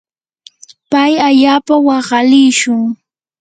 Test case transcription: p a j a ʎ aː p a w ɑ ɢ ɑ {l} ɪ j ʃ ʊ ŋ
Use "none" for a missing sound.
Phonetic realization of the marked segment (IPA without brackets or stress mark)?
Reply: l